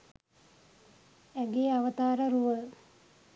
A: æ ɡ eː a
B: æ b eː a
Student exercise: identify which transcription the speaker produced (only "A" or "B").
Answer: A